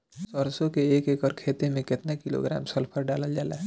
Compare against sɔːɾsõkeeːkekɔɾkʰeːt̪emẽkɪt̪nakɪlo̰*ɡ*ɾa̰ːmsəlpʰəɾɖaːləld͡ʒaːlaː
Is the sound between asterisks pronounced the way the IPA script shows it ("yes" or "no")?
yes